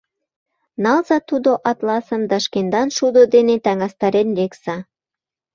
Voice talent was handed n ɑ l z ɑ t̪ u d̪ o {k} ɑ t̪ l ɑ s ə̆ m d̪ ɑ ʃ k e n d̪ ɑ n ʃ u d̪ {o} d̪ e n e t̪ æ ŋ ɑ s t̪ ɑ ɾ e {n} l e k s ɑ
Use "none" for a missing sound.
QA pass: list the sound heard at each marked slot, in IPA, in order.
ʔ, o, n

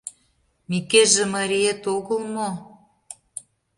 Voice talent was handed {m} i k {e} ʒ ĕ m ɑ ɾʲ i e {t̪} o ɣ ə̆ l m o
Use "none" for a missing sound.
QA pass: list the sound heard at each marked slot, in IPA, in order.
m, e, t̪

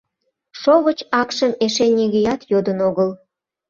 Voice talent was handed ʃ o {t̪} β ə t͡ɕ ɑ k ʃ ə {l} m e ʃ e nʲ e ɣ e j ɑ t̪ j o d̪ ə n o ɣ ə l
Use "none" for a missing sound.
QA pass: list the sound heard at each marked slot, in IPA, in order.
none, none

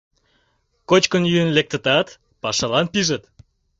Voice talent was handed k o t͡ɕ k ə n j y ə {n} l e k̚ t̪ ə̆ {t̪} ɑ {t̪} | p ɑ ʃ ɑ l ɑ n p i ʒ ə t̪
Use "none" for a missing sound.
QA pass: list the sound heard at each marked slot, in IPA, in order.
n, t̪, t̪

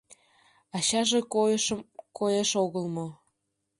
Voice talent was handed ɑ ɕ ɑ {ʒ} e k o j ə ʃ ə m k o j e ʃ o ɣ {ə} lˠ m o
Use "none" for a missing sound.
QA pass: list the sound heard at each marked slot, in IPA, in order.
ʒ, ə

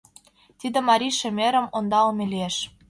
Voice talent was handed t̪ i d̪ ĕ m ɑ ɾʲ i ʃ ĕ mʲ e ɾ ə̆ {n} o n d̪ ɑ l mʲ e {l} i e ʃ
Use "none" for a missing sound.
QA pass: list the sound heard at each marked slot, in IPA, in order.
m, l

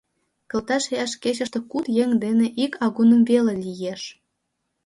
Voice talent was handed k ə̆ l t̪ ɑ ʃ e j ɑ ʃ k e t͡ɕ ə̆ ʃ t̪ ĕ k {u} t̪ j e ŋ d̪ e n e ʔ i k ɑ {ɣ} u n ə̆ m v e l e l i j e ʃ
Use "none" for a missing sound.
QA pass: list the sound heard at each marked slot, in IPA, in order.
u, ɣ

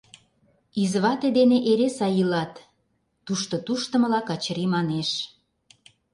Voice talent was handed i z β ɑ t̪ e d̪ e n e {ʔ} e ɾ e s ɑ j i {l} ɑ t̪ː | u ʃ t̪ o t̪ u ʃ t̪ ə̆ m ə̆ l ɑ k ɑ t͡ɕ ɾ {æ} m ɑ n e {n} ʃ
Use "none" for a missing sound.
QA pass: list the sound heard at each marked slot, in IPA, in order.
ʔ, l, i, none

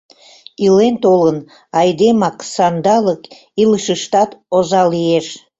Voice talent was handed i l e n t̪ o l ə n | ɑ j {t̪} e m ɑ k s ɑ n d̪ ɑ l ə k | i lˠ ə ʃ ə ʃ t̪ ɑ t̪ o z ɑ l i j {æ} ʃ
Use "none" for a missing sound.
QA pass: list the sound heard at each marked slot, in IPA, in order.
d̪, e

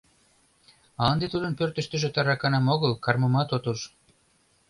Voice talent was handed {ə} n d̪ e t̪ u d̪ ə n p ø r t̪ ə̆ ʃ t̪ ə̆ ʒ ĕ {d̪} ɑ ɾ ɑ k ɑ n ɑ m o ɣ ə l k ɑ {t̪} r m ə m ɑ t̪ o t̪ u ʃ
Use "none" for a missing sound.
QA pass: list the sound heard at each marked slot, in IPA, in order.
ɑ, t̪, none

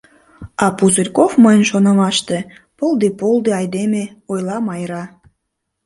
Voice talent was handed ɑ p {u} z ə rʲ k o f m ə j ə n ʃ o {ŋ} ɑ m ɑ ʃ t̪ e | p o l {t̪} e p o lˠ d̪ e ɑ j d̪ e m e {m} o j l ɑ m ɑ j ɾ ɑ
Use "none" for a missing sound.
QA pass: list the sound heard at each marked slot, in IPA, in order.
u, n, d̪, none

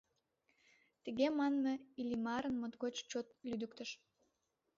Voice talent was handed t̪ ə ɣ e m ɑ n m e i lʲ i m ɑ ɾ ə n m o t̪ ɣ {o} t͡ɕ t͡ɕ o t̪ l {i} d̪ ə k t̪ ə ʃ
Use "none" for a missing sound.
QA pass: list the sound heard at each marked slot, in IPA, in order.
o, y

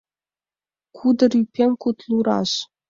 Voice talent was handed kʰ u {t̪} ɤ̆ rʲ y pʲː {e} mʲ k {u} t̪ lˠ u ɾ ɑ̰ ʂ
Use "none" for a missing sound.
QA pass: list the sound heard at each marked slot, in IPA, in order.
d̪, e, u

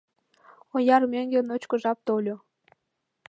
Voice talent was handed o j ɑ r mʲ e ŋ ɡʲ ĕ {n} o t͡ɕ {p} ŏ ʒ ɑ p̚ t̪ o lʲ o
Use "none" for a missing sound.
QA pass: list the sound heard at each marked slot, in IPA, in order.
n, k

